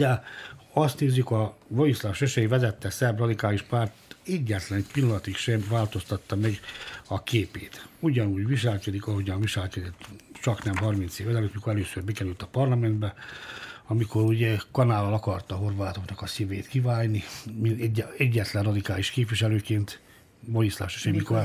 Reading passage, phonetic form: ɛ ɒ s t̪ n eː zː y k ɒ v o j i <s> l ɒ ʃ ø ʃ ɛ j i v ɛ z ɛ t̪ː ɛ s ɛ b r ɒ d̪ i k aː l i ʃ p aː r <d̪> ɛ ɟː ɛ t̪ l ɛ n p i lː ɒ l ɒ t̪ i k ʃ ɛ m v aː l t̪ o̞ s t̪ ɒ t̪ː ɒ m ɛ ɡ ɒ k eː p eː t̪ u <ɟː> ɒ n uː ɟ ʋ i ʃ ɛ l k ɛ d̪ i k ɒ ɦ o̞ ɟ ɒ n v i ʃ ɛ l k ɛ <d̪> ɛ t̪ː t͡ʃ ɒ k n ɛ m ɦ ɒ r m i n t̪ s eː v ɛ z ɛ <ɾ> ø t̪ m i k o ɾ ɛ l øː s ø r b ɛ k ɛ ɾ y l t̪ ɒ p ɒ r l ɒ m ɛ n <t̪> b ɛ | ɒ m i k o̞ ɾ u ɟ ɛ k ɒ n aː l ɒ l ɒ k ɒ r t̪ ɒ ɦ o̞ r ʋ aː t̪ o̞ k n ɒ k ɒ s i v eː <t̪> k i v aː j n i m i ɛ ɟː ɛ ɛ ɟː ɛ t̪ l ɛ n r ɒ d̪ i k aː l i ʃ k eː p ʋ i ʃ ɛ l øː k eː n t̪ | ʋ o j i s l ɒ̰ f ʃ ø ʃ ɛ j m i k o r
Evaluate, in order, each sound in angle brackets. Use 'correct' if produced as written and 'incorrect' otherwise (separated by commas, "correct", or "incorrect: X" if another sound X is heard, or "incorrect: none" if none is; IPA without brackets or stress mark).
correct, incorrect: t̪, incorrect: ɟ, correct, incorrect: l, incorrect: d̪, correct